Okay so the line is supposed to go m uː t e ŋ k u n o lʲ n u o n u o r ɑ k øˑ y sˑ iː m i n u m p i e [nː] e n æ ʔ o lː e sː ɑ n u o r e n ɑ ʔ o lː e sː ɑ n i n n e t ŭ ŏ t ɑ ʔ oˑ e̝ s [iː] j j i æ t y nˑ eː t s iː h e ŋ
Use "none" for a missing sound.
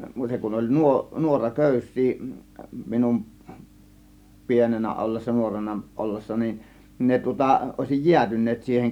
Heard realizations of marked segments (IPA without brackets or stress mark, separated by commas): n, i